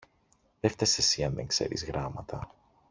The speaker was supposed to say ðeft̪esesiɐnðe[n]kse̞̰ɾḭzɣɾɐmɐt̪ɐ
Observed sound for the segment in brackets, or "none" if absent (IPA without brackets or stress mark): ŋ